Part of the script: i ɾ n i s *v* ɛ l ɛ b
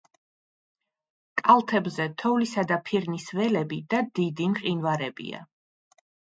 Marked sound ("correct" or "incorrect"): correct